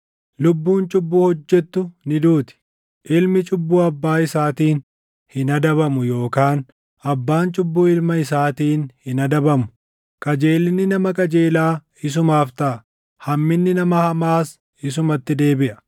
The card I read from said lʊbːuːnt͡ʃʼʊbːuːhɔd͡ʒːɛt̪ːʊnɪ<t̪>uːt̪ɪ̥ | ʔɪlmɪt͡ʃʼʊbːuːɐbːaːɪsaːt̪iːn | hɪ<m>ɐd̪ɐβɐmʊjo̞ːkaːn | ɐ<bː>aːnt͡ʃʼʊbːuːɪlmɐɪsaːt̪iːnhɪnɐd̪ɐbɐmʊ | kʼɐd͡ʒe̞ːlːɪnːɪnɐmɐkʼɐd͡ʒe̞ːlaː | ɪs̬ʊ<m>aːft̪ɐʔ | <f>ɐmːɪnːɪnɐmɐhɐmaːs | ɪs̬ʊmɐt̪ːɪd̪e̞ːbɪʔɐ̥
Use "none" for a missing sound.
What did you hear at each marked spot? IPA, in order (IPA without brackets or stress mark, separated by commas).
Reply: d̪, n, bː, m, h